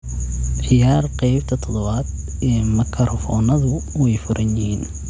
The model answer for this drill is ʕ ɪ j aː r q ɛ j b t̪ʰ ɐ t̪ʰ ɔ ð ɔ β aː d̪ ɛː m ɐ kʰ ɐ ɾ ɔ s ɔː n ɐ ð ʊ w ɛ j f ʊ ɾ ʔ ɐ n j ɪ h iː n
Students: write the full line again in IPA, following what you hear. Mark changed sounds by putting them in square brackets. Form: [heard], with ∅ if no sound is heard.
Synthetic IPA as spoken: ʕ ɪ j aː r q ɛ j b t̪ʰ ɐ t̪ʰ ɔ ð ɔ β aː d̪ ɛː m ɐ kʰ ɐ ɾ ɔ [f] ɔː n ɐ ð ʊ w ɛ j f ʊ ɾ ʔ ɐ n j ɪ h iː n